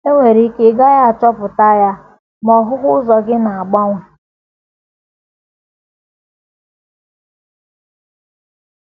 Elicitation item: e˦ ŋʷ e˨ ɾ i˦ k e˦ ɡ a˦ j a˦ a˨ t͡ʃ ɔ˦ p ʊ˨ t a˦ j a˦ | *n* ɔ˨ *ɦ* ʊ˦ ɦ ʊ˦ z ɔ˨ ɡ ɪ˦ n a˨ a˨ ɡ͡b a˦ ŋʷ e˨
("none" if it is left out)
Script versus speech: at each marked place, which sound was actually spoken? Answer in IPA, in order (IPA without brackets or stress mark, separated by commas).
m, ɦ